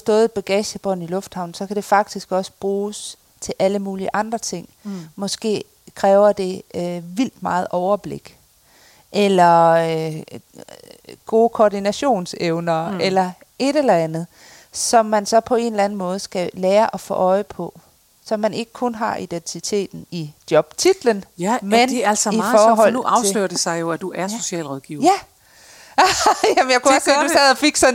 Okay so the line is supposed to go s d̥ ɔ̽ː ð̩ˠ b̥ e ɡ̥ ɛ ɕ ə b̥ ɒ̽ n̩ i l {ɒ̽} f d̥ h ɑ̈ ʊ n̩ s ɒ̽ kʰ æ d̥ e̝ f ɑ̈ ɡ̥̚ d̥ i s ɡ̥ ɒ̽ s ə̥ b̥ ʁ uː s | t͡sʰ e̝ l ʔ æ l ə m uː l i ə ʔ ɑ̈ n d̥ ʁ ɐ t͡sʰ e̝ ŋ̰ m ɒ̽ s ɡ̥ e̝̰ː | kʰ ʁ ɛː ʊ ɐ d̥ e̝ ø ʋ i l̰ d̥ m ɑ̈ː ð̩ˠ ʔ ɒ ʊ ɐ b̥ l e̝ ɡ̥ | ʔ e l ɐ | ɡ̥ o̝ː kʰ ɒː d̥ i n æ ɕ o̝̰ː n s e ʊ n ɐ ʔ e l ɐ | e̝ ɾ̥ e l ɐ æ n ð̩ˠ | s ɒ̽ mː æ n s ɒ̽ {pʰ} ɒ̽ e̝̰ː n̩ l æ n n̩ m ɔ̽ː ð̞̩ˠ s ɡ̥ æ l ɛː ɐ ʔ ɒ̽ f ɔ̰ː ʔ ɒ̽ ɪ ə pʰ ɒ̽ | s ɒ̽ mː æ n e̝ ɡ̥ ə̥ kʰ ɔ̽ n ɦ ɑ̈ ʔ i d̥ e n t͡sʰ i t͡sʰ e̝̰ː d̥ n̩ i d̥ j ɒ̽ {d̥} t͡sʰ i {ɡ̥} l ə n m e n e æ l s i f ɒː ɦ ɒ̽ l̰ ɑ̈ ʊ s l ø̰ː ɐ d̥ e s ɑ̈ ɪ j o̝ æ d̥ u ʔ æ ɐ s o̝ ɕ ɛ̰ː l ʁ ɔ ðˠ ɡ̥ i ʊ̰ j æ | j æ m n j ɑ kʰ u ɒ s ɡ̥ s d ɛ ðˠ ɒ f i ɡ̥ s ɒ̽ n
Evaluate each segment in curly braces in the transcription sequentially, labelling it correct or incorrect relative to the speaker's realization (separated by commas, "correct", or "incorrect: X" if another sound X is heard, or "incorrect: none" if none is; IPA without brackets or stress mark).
incorrect: ɔ̽, correct, incorrect: b̥, incorrect: d̥